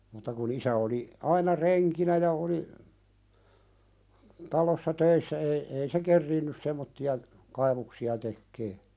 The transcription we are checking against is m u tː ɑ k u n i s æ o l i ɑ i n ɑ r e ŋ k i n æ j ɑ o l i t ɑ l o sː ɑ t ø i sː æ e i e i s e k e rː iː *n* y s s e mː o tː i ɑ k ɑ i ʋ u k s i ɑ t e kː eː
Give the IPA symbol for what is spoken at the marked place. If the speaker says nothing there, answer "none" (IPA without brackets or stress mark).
nː